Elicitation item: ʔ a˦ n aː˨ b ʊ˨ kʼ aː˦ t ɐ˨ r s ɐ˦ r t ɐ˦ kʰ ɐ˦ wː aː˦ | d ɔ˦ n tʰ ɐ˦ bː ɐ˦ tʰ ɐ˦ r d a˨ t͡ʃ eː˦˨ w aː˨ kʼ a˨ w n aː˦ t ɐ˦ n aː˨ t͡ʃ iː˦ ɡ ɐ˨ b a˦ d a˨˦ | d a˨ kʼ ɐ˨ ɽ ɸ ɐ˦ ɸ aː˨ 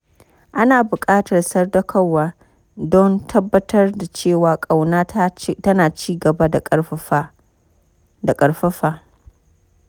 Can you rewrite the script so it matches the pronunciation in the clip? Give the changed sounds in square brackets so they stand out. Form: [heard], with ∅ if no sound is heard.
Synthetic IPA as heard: ʔ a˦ n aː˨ b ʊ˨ kʼ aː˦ t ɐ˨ r s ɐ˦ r [d] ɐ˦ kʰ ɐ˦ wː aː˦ | d ɔ˦ n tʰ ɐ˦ bː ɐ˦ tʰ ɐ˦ r d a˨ t͡ʃ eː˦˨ w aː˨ kʼ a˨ w n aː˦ t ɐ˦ n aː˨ t͡ʃ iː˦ ɡ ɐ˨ b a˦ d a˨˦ | d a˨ kʼ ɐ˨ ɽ ɸ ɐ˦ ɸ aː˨